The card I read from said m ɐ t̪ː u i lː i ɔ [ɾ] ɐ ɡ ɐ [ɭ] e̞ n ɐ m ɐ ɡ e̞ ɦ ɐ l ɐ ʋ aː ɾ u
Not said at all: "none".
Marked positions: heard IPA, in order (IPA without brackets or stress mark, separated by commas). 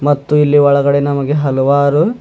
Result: ɭ, ɽ